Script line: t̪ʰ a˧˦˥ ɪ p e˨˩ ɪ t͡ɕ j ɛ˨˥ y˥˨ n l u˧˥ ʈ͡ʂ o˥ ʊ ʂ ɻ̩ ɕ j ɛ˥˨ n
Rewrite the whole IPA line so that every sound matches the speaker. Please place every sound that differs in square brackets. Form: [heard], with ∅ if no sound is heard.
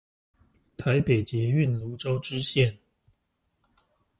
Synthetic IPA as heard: t̪ʰ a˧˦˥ ɪ p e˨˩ ɪ t͡ɕ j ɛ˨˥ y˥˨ n l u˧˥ ʈ͡ʂ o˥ ʊ [ʈ͡ʂ] ɻ̩ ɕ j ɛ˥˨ n